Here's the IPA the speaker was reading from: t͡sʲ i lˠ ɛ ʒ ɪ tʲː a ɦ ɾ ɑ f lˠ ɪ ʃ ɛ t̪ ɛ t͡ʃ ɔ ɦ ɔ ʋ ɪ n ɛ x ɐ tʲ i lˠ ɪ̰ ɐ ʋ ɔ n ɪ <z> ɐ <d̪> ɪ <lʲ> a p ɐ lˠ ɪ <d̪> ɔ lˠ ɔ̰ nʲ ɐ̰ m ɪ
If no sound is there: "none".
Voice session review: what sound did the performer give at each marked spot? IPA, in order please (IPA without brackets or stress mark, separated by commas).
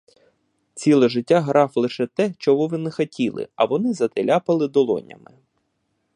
z, t̪, lʲ, d̪